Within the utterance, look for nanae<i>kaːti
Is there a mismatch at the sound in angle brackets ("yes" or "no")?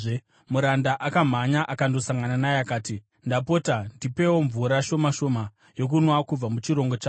yes